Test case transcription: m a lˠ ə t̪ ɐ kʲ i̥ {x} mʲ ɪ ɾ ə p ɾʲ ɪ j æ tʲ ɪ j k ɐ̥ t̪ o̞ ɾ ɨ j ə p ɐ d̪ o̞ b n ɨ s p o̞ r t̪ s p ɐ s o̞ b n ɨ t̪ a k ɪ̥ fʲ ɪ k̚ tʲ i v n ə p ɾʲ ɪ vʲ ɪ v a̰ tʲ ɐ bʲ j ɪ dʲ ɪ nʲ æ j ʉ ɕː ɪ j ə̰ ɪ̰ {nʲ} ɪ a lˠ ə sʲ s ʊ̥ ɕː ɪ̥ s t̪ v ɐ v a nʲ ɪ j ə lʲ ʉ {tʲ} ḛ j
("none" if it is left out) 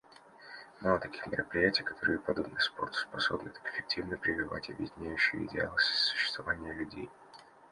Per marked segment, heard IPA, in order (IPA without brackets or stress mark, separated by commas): x, dʲ, dʲ